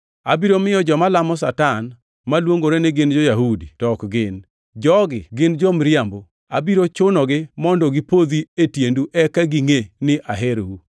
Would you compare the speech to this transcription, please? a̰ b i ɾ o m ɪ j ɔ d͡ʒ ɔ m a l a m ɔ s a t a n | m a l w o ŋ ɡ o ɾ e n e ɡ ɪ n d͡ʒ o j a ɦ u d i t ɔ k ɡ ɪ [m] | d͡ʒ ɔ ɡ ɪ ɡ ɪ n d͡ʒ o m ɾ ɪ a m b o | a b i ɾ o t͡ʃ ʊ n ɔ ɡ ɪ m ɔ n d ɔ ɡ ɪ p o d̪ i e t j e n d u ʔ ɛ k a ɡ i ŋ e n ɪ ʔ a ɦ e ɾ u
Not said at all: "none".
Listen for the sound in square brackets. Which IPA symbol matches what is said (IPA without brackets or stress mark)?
n